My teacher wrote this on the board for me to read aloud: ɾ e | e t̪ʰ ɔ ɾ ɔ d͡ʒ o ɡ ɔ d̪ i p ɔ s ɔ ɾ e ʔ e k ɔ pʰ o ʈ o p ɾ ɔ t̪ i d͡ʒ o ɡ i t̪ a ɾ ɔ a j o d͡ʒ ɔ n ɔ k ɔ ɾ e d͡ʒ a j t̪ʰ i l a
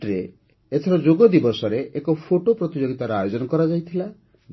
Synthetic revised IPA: ɾ e | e t̪ʰ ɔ ɾ ɔ d͡ʒ o ɡ ɔ d̪ i b ɔ s ɔ ɾ e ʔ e k ɔ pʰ o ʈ o p ɾ ɔ t̪ i d͡ʒ o ɡ i t̪ a ɾ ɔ a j o d͡ʒ ɔ n ɔ k ɔ ɾ a d͡ʒ a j t̪ʰ i l a